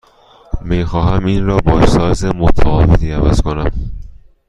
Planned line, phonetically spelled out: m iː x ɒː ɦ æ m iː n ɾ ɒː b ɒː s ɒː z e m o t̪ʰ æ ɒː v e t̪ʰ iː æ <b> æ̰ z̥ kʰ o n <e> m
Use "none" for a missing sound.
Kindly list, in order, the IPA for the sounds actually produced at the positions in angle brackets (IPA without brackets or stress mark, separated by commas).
v, æ